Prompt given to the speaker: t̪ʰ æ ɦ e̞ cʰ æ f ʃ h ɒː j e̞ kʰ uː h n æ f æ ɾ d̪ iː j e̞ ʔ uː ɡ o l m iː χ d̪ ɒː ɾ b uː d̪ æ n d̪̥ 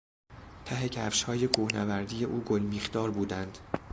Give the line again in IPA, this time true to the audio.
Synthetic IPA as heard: t̪ʰ æ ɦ e̞ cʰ æ f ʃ h ɒː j e̞ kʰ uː h n æ v æ ɾ d̪ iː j e̞ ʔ uː ɡ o l m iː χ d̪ ɒː ɾ b uː d̪ æ n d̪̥